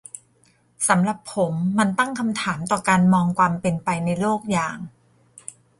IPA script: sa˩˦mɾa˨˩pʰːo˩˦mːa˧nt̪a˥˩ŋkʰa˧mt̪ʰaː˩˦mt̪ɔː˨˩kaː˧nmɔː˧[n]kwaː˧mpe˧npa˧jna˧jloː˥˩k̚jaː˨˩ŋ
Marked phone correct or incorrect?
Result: incorrect